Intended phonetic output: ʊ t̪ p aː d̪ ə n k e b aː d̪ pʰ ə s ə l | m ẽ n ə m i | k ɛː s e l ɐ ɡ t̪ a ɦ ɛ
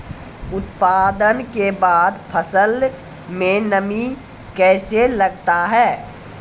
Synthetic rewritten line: ʊ t̪ p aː d̪ ə n k e b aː d̪ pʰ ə s ə l | m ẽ n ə m i | k ɛː s e l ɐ ɡ t̪ a ɦ ɛː

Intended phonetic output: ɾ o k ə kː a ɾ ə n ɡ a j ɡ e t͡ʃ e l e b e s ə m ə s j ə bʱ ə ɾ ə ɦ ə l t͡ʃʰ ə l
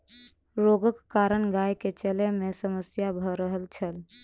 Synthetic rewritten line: ɾ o ɡ ə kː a ɾ ə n ɡ a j k e t͡ʃ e l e m e s ə m ə s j a bʱ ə ɾ ə ɦ ə l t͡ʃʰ ə l

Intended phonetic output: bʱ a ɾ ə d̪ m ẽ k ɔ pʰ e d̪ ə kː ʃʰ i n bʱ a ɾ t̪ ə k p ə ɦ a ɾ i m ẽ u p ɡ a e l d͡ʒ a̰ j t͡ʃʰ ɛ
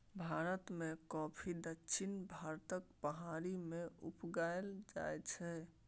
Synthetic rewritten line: bʱ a ɾ ə t̪ m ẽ k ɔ pʰ i d̪ ə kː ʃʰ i n bʱ a ɾ t̪ ə k p ə ɦ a ɾ i m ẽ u p ɡ a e l d͡ʒ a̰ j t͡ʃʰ ɛ

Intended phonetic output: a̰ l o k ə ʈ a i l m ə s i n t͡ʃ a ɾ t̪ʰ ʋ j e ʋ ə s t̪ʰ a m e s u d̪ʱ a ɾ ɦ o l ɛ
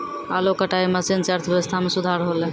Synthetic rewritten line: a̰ l o k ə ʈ a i m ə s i n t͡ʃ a ɾ t̪ʰ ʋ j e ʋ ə s t̪ʰ a m e s u d̪ʱ a ɾ ɦ o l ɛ

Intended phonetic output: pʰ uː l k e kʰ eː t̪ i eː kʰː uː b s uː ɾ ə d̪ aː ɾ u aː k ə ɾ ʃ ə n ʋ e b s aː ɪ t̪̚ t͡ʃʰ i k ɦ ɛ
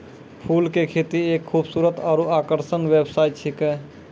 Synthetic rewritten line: pʰ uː l k e kʰ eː t̪ i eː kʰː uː b s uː ɾ ə t̪ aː ɾ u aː k ə ɾ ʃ ə n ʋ e b s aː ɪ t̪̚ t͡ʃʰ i k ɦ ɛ

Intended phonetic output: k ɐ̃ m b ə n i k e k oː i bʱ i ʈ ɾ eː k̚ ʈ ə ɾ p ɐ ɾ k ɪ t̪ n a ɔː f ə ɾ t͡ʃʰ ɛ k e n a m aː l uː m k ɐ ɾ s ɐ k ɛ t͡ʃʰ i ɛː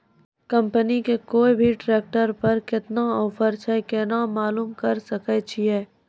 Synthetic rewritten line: k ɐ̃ m p ə n i k e k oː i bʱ i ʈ ɾ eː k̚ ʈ ə ɾ p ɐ ɾ k ɪ t̪ n a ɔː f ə ɾ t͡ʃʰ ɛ k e n a m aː l uː m k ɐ ɾ s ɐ k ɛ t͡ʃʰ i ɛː

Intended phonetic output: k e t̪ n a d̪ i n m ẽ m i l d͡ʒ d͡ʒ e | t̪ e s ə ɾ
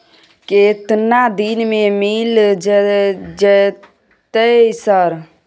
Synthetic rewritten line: k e t̪ n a d̪ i n m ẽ m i l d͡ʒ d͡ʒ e | t̪ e s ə ɾ

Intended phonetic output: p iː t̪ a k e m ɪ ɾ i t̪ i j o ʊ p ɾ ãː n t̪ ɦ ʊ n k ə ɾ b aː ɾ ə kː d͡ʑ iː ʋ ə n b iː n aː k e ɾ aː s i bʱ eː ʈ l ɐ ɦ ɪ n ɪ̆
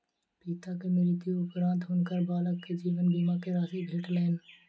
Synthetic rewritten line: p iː t̪ a k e m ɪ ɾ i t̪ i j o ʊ p ɾ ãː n t̪ ɦ ʊ n k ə ɾ b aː l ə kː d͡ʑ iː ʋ ə n b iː m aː k e ɾ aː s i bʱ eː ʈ l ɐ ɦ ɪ n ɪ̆

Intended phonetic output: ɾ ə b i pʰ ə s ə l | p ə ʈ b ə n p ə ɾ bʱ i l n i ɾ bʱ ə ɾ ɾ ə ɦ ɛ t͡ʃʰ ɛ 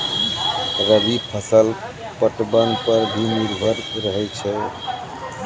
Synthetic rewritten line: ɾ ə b i pʰ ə s ə l | p ə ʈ b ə n p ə ɾ bʱ i n i ɾ bʱ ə ɾ ɾ ə ɦ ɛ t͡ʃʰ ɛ

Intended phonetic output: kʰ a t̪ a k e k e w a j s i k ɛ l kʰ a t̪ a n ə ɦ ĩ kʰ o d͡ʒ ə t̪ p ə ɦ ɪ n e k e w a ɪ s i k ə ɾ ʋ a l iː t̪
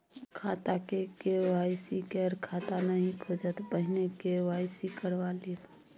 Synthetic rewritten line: kʰ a t̪ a k e k e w a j s i k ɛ ɾ kʰ a t̪ a n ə ɦ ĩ kʰ o d͡ʒ ə t̪ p ə ɦ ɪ n e k e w a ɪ s i k ə ɾ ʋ a l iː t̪

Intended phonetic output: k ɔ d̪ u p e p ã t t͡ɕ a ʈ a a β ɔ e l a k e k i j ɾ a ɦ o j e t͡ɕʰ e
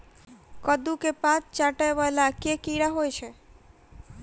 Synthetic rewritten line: k ɔ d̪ u k e p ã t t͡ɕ a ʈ a e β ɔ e l a k e k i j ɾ a ɦ o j e t͡ɕʰ e

